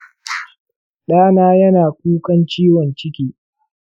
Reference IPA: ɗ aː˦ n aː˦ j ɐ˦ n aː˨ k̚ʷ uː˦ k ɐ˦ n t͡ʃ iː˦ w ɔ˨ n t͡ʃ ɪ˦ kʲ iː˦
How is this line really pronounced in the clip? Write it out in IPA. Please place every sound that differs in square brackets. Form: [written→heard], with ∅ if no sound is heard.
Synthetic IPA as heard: ɗ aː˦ n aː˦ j ɐ˦ n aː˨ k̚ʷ uː˦ k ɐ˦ n t͡ʃ iː˦ w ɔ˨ n t͡ʃ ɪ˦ kʲ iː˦